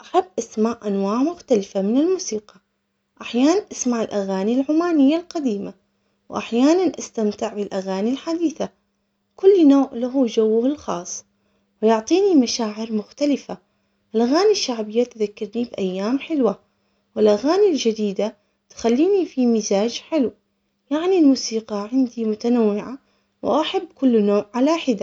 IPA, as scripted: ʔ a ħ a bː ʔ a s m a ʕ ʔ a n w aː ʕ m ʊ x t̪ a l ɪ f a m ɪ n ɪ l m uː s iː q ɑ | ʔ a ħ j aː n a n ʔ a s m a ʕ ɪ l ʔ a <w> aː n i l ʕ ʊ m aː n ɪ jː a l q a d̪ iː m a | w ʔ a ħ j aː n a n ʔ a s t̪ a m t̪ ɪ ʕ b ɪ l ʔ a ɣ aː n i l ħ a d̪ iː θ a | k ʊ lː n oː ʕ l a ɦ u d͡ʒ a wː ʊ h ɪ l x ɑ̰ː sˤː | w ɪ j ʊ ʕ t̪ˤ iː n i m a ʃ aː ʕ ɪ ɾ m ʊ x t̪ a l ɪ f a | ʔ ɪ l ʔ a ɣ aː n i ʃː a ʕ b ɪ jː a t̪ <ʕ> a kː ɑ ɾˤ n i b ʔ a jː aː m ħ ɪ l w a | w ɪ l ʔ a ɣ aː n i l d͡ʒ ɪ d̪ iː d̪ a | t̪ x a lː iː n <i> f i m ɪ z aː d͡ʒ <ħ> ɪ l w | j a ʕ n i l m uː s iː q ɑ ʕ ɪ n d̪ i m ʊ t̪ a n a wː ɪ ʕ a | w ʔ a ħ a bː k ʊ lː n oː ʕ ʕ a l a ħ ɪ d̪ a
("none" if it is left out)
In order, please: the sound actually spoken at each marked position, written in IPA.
ɣ, ð, i, ħ

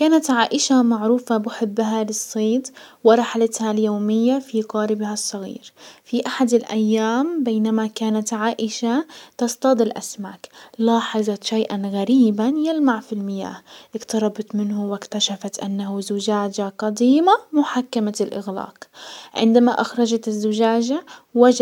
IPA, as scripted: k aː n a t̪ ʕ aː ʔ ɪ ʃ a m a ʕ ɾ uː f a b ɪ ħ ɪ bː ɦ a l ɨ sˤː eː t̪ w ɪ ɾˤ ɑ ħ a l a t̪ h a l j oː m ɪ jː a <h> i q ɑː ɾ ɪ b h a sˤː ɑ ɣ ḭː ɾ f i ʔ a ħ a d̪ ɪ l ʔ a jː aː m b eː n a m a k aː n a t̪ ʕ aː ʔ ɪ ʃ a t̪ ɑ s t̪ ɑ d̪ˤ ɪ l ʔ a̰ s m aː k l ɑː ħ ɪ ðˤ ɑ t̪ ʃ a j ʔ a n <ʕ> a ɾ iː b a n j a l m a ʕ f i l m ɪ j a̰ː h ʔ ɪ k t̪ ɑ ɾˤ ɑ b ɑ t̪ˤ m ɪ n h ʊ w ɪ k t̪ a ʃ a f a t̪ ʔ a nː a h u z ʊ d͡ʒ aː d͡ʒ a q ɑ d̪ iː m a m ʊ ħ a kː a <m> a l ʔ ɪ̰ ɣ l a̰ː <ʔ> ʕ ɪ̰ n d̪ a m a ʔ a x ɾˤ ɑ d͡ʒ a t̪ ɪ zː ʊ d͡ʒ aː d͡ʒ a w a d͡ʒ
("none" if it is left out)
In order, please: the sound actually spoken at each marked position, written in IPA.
f, ɣ, m, q

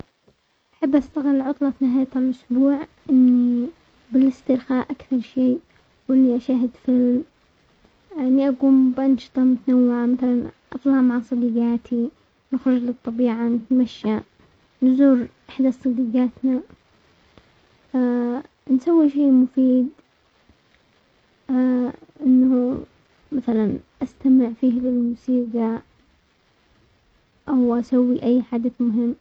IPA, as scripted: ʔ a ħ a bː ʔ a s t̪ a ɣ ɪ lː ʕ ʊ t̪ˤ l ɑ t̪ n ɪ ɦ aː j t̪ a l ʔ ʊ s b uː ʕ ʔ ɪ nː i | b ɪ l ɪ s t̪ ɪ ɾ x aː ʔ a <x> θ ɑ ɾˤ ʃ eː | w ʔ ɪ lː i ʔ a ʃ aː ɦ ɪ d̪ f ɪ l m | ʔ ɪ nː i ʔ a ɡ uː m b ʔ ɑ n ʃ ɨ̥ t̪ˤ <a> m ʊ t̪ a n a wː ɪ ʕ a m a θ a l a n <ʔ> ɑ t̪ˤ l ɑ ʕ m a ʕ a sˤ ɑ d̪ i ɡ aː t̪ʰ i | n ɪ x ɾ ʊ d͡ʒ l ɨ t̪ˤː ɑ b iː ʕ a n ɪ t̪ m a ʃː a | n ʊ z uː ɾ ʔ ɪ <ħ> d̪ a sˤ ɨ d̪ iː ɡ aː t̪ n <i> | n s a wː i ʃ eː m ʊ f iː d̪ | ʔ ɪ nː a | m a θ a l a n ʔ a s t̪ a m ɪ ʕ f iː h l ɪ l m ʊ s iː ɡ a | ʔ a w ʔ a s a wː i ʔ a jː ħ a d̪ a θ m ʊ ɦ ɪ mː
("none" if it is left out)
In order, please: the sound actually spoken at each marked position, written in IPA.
k, ɑ, ʔ, ħ, a

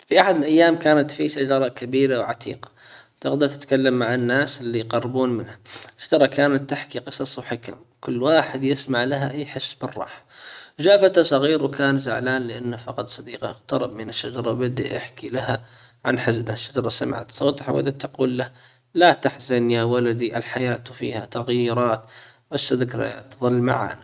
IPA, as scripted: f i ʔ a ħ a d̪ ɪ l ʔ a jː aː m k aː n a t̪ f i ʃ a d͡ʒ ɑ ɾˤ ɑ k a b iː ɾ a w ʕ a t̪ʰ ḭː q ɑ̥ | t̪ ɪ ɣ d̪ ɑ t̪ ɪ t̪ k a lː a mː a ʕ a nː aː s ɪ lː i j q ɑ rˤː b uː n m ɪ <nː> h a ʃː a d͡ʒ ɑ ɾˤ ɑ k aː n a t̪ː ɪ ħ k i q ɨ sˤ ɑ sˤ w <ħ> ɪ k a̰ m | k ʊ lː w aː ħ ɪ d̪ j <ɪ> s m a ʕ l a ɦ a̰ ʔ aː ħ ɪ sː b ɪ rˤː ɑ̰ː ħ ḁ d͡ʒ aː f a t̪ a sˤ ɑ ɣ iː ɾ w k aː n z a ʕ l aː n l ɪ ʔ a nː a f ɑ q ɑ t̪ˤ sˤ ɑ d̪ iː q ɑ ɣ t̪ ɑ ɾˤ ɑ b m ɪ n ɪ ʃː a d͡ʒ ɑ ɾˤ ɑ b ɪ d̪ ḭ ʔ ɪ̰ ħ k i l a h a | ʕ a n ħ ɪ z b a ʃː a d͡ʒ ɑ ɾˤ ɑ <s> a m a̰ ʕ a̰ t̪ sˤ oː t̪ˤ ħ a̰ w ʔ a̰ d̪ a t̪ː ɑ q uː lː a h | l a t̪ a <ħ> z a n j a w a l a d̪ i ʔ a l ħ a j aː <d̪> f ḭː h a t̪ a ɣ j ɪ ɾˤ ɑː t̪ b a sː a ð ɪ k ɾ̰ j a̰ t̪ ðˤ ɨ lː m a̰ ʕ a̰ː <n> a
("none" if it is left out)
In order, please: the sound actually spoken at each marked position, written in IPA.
n, ħ, ɪ, s, ħ, t̪, n

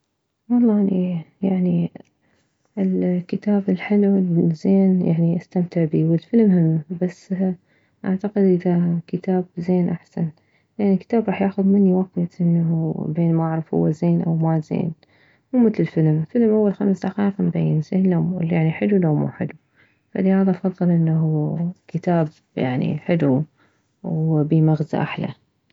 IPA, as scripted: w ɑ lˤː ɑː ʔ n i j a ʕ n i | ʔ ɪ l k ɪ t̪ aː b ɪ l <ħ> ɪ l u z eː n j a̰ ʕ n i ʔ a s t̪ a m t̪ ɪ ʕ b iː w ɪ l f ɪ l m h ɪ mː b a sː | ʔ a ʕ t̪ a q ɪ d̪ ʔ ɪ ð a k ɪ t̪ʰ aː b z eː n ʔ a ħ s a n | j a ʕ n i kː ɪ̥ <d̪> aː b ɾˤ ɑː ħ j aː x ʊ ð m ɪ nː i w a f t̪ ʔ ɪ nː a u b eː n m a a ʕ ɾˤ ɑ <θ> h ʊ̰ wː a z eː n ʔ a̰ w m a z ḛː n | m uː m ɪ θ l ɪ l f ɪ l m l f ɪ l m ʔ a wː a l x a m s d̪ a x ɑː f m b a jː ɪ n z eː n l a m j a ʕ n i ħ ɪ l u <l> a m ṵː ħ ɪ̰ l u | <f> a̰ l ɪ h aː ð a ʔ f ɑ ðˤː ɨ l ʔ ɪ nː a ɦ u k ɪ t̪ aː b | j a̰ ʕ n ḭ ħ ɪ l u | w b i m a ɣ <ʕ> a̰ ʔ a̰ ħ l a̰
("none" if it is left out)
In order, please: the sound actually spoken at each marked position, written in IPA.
ħ, t̪, f, l, f, z

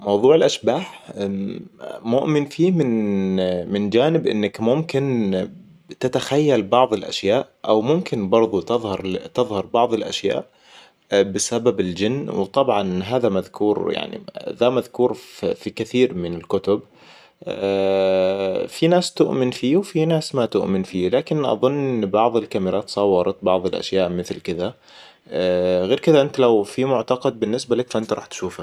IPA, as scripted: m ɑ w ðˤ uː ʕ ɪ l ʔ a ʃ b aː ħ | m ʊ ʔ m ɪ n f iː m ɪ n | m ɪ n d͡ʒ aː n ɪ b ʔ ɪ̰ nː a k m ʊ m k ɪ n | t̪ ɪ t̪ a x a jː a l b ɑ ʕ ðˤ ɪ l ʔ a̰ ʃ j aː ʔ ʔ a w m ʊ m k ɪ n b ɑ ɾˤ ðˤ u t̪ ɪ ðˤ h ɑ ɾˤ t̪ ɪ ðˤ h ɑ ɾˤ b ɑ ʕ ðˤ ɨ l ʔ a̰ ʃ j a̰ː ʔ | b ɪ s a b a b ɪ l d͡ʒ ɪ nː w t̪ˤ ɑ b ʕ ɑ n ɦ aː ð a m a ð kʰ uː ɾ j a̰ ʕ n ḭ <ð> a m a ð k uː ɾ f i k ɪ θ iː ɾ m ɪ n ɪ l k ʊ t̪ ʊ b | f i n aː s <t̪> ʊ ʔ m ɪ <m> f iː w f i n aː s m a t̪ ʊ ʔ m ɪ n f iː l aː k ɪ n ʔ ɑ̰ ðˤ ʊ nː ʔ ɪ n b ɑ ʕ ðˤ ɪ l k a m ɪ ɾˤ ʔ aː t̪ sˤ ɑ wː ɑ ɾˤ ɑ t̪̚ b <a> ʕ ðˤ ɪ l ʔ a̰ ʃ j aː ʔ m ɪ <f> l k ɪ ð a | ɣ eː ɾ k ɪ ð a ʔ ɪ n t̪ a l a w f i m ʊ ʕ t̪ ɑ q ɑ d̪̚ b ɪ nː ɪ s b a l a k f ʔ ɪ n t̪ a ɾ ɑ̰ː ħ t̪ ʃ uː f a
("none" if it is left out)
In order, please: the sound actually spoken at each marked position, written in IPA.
ð, t̪, n, ɑ, θ

